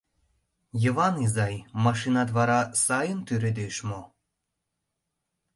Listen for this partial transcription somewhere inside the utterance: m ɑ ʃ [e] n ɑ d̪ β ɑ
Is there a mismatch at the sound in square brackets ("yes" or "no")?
yes